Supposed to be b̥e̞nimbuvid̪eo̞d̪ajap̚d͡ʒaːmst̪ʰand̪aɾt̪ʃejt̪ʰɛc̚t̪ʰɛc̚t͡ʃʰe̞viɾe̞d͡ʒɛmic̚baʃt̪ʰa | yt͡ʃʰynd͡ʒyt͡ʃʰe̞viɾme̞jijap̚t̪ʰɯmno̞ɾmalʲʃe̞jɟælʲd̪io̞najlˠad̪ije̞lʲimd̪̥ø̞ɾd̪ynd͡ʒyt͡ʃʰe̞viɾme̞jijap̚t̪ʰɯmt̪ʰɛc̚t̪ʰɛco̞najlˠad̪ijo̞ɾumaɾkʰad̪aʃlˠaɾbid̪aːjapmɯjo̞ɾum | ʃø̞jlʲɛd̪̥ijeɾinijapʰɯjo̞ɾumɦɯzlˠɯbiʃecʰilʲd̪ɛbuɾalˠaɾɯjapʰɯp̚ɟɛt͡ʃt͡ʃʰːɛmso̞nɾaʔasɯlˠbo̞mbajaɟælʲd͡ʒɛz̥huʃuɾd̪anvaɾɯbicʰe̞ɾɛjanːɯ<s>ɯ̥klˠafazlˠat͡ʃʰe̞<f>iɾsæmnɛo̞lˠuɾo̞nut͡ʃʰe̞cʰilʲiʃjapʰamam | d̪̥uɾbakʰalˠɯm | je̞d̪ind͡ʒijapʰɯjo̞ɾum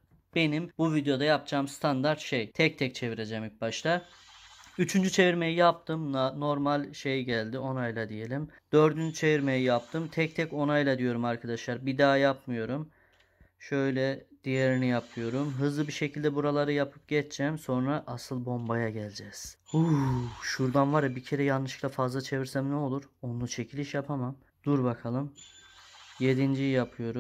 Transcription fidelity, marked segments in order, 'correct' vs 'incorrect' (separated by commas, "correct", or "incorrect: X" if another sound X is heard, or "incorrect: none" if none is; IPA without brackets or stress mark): incorrect: ʃ, incorrect: v